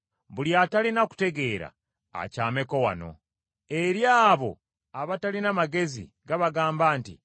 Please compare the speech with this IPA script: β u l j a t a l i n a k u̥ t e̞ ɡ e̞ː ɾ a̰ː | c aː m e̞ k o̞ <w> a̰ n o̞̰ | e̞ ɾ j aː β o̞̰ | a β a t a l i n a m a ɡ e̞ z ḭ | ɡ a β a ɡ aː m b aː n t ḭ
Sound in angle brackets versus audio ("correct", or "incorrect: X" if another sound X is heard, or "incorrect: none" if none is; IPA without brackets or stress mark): correct